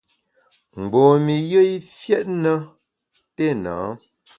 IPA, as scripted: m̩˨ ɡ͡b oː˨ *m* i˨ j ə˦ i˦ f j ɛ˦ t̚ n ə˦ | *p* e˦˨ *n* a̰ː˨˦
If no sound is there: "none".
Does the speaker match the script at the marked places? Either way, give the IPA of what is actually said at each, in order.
m, t, n

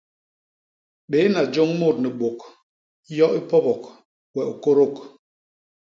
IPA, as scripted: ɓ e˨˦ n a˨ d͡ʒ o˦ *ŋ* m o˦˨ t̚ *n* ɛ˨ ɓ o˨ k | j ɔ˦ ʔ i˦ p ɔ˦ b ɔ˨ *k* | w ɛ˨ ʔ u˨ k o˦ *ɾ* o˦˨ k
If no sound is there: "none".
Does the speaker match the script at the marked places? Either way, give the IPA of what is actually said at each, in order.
ŋ, n, k, ɾ

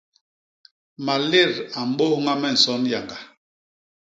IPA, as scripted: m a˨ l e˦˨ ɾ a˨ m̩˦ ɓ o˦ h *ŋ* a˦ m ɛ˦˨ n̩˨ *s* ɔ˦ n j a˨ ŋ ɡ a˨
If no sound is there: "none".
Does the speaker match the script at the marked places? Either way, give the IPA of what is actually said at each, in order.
ŋ, s

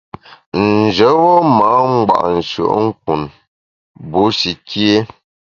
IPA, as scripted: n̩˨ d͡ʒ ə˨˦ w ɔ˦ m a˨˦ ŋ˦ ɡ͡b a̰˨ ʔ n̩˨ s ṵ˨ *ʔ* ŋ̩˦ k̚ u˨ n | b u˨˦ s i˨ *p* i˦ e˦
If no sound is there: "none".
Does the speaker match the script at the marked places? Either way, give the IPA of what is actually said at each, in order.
ʔ, k

